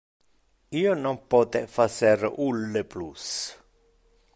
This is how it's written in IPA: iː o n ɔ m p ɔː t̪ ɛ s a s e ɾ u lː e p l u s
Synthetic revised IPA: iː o n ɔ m p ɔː t̪ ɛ f a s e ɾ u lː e p l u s